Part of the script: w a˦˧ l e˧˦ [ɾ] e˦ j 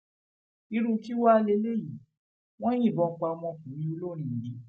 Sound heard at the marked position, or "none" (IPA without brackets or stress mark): l